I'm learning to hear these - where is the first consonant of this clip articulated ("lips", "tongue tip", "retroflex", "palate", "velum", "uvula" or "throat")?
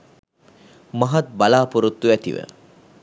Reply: lips